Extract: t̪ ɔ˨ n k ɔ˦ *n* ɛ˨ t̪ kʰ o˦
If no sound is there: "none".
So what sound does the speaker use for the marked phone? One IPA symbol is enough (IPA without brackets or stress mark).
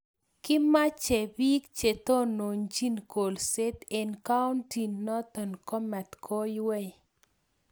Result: m